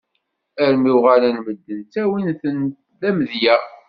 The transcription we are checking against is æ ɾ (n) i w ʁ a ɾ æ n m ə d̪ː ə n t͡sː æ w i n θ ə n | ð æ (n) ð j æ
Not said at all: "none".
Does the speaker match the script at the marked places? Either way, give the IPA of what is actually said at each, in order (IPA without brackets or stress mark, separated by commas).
m, m